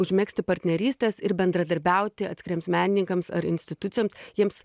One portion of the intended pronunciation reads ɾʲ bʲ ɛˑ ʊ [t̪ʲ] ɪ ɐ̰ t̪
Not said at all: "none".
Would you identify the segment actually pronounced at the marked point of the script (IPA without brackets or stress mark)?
t̪ʲ